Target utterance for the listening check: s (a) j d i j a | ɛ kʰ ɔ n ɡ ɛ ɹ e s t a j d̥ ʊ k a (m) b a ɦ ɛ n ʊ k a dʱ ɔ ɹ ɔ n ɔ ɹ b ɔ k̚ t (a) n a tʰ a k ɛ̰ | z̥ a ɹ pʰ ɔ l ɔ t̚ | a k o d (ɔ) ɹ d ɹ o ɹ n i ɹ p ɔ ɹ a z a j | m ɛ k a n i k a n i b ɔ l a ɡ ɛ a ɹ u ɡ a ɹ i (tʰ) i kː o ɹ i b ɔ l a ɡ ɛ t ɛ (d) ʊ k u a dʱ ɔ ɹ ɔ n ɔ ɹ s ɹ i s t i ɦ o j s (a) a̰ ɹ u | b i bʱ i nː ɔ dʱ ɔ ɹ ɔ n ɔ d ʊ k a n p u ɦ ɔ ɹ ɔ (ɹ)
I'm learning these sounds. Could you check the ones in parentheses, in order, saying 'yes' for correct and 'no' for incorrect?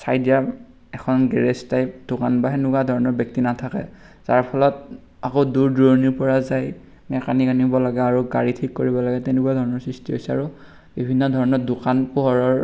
yes, no, no, no, yes, no, no, yes

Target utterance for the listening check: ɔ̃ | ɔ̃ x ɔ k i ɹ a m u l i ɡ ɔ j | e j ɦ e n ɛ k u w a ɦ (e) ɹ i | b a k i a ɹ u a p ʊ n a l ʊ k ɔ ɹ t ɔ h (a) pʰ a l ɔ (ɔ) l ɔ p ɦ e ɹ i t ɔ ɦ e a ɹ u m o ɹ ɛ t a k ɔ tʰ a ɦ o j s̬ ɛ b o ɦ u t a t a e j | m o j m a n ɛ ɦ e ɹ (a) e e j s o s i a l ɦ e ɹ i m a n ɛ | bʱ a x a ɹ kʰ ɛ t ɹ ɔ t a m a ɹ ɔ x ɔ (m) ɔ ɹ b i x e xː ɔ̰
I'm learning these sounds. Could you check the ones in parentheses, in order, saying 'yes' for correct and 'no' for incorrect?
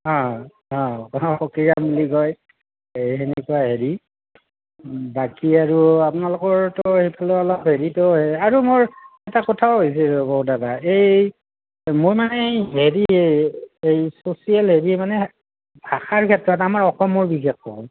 yes, no, yes, no, yes

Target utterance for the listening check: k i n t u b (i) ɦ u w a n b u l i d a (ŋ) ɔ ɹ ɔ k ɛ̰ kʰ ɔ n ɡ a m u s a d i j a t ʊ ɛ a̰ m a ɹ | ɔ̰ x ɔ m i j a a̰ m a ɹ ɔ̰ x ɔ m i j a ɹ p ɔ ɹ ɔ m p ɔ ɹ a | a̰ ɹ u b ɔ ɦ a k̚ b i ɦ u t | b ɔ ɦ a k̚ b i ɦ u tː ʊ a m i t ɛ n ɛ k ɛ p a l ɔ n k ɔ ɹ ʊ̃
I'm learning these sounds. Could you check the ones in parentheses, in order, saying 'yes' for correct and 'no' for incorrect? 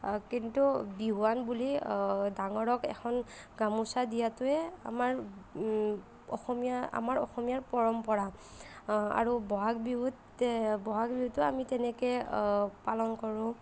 yes, yes

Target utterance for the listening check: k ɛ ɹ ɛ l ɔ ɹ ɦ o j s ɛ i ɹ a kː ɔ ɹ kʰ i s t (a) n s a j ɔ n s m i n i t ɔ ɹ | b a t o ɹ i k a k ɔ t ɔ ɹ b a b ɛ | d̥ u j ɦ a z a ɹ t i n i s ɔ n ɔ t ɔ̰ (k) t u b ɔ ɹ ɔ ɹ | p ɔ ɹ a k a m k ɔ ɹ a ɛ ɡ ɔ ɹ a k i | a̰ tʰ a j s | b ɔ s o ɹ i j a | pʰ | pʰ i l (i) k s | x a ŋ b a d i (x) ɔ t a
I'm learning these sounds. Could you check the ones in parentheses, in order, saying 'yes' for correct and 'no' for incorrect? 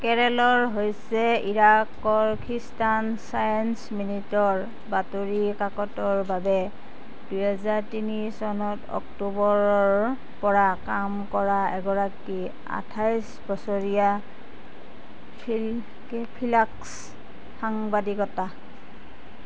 yes, yes, no, no

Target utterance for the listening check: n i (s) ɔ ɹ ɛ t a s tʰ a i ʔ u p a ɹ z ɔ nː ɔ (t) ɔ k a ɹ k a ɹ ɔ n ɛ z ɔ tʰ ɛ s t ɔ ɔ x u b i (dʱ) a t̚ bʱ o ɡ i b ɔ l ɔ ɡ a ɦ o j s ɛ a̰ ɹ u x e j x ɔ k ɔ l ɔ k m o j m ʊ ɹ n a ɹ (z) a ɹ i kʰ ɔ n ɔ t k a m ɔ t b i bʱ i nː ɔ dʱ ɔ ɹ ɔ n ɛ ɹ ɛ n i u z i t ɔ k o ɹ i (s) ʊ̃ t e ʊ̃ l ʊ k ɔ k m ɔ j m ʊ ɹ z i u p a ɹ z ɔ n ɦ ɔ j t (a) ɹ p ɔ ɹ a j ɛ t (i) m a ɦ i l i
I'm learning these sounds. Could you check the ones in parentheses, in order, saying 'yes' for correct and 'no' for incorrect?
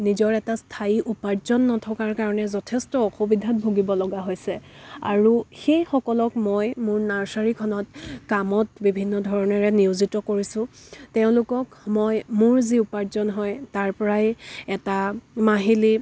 no, no, yes, no, yes, yes, no

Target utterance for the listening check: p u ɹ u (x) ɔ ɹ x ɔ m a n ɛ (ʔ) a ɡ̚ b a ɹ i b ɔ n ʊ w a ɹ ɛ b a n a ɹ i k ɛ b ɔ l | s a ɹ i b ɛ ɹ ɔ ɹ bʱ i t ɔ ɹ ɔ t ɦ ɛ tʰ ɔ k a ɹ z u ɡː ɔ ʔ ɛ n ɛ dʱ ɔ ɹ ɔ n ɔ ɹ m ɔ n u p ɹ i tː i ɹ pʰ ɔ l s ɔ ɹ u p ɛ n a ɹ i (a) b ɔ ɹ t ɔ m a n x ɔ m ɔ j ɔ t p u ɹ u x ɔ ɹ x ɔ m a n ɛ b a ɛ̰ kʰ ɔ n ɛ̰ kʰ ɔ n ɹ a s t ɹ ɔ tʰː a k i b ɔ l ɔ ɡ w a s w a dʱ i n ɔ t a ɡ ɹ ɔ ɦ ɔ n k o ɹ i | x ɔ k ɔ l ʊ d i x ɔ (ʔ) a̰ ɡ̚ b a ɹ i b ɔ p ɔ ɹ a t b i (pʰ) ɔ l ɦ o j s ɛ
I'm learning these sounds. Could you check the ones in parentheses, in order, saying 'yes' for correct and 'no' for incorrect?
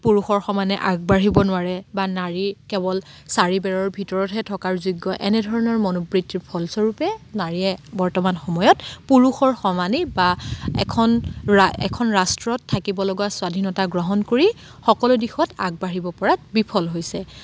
yes, yes, no, no, yes

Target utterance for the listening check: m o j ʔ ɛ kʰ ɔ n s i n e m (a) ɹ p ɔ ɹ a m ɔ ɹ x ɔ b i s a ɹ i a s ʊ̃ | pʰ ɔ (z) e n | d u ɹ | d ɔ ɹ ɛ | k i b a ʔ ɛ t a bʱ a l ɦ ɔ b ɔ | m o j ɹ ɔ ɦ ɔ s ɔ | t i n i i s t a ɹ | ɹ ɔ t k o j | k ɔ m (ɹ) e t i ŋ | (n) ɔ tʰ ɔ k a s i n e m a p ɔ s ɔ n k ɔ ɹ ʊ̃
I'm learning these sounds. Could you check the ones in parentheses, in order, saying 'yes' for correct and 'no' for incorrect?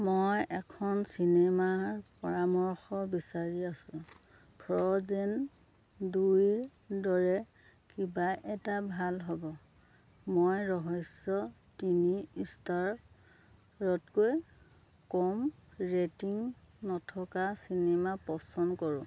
yes, yes, yes, yes

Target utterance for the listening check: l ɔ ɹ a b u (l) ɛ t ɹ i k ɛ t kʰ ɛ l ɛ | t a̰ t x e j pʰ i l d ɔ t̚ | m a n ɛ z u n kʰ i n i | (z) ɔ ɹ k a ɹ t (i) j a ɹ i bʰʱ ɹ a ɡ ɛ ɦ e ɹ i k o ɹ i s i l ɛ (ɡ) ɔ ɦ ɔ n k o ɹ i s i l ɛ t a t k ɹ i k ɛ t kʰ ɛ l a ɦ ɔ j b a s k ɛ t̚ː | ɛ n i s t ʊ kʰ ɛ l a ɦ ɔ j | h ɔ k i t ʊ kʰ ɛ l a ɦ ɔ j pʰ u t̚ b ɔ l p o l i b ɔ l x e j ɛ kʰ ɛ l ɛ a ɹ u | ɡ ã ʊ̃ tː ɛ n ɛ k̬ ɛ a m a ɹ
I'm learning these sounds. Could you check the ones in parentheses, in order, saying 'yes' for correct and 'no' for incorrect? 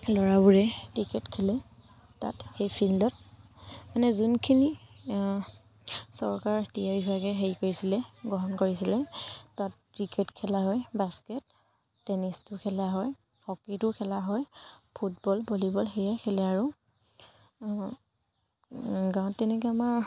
no, no, yes, yes

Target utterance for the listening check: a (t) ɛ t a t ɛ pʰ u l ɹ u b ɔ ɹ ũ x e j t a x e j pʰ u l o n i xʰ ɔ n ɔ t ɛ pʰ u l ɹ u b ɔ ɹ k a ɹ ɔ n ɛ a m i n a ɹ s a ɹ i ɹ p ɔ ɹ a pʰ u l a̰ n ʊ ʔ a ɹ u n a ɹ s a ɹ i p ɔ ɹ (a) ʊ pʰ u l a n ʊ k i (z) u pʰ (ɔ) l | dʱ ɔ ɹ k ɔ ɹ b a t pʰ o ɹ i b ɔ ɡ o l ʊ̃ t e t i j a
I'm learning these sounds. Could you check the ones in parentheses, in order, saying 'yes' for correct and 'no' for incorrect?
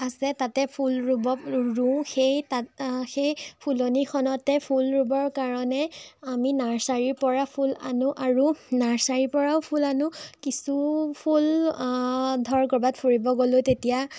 no, yes, no, no

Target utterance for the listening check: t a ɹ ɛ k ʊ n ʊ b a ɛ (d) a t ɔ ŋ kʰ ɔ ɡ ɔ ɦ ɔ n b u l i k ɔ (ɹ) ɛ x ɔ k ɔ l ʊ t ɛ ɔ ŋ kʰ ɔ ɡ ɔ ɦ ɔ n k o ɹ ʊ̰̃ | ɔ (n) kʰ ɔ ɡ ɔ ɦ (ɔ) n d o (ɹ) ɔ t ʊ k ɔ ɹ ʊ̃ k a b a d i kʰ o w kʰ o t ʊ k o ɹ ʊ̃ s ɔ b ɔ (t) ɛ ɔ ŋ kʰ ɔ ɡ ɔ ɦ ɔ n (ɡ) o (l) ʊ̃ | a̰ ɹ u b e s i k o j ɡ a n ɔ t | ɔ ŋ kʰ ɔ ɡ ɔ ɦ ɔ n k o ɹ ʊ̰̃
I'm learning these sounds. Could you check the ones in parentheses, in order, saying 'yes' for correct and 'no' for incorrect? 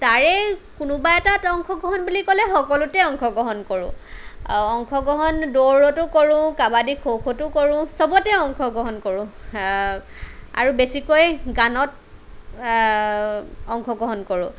no, no, no, yes, yes, yes, no, no

